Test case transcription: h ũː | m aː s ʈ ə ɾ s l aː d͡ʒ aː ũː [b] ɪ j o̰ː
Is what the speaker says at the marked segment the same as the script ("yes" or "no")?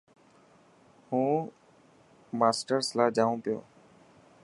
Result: no